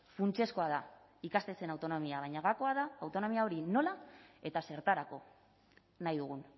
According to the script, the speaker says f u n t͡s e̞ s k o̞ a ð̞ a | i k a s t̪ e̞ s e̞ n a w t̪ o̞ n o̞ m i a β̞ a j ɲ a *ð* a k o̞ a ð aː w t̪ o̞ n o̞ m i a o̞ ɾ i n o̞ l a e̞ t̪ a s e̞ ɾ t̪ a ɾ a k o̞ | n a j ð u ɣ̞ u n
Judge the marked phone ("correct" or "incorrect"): incorrect